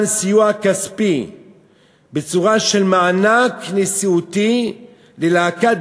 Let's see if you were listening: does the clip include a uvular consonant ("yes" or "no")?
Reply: yes